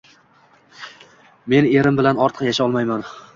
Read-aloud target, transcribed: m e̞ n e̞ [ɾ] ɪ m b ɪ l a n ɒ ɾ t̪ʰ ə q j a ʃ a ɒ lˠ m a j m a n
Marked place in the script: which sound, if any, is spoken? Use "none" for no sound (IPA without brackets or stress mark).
ɾ